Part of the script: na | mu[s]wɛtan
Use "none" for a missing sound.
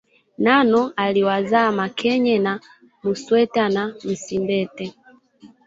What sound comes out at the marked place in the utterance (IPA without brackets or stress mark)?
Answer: s